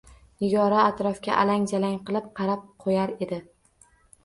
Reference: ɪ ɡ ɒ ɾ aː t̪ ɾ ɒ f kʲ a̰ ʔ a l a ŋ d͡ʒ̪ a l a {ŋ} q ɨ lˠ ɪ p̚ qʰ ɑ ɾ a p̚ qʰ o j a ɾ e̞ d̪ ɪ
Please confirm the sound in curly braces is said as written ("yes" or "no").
yes